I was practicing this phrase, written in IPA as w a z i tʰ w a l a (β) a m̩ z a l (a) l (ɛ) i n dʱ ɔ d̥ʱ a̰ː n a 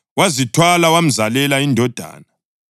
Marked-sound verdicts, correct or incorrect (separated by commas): incorrect, incorrect, incorrect